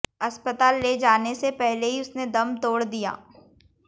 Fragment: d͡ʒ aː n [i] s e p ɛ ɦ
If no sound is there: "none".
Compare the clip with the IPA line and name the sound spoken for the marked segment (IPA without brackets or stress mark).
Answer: e